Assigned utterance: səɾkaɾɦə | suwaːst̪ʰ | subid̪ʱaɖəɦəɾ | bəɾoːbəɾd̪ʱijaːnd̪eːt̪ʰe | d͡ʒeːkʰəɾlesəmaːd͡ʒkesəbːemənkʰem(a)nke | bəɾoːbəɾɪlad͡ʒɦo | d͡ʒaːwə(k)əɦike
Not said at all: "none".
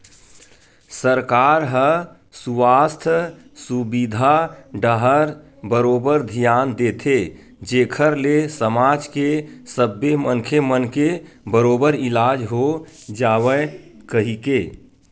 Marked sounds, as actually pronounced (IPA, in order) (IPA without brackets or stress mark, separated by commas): ə, k